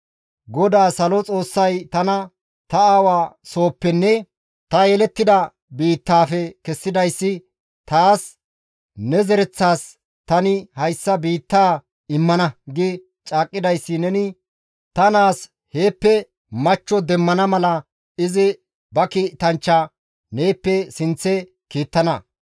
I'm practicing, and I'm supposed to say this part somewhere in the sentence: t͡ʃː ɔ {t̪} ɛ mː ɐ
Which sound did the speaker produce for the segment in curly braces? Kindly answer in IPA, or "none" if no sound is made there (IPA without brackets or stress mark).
d̪